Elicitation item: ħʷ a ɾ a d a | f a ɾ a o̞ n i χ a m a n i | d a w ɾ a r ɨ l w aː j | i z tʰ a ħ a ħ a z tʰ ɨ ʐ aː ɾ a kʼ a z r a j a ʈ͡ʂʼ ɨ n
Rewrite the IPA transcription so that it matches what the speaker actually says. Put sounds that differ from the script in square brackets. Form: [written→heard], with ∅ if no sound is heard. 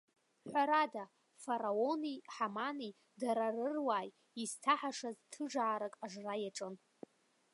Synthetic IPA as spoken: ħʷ a ɾ a d a | f a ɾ a o̞ n i [χ→ħ] a m a n i | d a [w→∅] ɾ a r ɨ [l→r] w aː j | i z tʰ a ħ a [ħ→ʂ] a z tʰ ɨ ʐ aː ɾ a kʼ a [z→ʐ] r a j a ʈ͡ʂʼ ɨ n

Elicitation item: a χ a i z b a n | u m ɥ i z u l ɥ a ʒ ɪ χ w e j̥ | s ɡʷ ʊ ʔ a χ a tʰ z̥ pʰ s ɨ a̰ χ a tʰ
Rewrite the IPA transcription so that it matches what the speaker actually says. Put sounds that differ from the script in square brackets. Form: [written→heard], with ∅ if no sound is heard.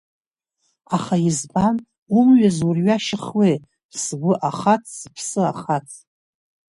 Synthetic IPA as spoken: a χ a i z b a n | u m ɥ [i→a] z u [l→r] ɥ a [ʒ→ʃ] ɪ χ w e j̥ | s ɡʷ ʊ ʔ a χ a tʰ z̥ pʰ s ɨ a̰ χ a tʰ

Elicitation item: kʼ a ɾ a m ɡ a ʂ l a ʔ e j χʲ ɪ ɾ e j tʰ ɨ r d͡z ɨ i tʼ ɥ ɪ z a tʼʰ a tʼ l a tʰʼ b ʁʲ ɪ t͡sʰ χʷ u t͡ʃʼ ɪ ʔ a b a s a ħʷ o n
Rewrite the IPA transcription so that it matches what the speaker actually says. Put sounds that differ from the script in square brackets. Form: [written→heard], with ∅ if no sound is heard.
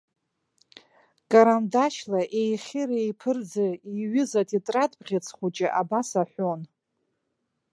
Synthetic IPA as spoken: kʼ a ɾ a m [ɡ→d] a [ʂ→ʃ] l a ʔ e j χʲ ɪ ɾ e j [tʰ→pʰ] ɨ r d͡z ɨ i [tʼ→∅] ɥ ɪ z a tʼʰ [a→i] tʼ [l→r] a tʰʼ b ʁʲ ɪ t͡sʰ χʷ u t͡ʃʼ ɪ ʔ a b a s a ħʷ o n

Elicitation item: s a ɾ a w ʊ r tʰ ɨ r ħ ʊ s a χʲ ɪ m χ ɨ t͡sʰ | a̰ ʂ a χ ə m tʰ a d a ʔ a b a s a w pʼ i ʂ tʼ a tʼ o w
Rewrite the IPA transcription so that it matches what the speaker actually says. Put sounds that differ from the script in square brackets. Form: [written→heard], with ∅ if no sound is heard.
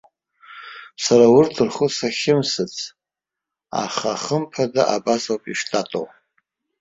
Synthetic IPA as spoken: s a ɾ a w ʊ r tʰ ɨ r [ħ→χ] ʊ s a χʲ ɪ m [χ→s] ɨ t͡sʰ | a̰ [ʂ→χ] a χ ə m [tʰ→pʰ] a d a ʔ a b a s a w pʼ i ʂ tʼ a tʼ o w

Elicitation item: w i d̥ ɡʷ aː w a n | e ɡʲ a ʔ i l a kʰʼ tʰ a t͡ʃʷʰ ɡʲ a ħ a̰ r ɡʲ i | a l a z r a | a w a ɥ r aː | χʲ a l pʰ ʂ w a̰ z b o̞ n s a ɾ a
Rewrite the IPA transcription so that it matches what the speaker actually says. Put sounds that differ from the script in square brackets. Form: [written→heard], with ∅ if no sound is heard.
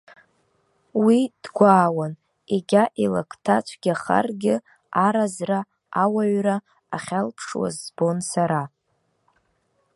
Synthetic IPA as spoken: w i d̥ ɡʷ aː w a n | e ɡʲ a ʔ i l a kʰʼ tʰ a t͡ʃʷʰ ɡʲ a [ħ→χ] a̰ r ɡʲ [i→ɪ] | a [l→ɾ] a z r a | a w a ɥ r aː | χʲ a l pʰ ʂ w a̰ z b o̞ n s a ɾ a

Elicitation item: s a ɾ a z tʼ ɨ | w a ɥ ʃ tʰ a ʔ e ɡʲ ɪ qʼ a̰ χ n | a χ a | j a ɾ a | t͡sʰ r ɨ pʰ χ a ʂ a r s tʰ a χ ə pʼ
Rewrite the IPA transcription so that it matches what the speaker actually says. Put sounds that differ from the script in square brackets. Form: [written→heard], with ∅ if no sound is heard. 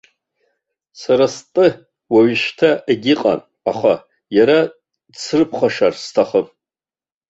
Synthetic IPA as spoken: s a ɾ a [z→s] tʼ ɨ | w a ɥ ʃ tʰ a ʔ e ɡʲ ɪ qʼ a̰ [χ→∅] n | a χ a | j a ɾ a | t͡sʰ r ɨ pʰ χ a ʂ a r s tʰ a χ ə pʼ

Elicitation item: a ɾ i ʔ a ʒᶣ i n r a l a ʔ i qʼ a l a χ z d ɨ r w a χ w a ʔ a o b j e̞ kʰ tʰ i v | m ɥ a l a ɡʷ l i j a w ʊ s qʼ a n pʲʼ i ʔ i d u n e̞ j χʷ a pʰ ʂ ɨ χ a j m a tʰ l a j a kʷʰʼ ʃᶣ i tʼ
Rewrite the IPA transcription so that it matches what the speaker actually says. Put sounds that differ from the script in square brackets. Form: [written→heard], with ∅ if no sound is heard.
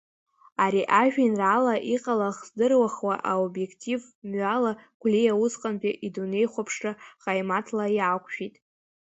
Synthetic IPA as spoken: a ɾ i ʔ a ʒᶣ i n r a l a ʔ i qʼ a l a χ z d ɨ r w a χ w a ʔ a o b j e̞ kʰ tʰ i v | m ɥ a l a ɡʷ l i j a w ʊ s qʼ a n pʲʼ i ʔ i d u n e̞ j χʷ a pʰ ʂ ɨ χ a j m a tʰ l a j a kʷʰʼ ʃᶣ i tʼ

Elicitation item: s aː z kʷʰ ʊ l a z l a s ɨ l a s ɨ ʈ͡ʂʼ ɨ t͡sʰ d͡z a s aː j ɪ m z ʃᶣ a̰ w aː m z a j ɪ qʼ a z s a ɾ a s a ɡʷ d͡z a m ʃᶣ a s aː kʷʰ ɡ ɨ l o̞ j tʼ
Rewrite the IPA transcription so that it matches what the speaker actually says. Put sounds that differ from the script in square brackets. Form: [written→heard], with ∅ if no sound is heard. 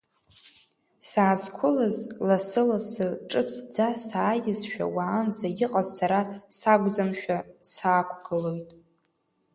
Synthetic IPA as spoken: s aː z kʷʰ ʊ l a z l a s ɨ l a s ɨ ʈ͡ʂʼ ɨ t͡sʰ d͡z a s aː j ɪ [m→∅] z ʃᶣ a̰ w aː [m→n] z a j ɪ qʼ a z s a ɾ a s a ɡʷ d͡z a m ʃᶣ a s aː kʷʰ ɡ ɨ l o̞ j tʼ

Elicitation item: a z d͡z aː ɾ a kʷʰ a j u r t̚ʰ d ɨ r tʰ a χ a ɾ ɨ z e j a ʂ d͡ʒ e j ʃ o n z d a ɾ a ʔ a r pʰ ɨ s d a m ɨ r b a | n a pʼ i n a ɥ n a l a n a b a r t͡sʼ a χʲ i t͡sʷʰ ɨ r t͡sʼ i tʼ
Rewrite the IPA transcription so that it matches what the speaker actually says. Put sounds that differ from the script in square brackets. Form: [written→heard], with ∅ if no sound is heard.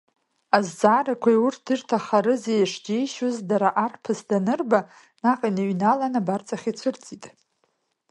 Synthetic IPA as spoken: a z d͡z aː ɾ a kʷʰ a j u r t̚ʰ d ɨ r tʰ a χ a ɾ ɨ z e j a ʂ d͡ʒ e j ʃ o [n→∅] z d a ɾ a ʔ a r pʰ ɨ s d a [m→n] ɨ r b a | n a [pʼ→qʼ] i n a ɥ n a l a n a b a r t͡sʼ a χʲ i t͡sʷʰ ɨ r t͡sʼ i tʼ

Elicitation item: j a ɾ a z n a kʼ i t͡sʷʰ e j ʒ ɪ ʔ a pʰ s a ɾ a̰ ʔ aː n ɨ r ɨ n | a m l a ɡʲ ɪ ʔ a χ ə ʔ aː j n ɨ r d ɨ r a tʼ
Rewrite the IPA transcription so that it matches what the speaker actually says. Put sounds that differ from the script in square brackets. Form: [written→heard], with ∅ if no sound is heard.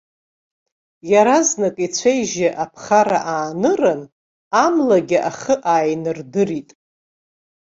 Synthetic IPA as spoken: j a ɾ a z n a kʼ i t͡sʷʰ e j ʒ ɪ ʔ a pʰ [s→χ] a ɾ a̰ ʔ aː n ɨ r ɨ n | a m l a ɡʲ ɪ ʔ a χ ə ʔ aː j n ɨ r d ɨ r [a→i] tʼ

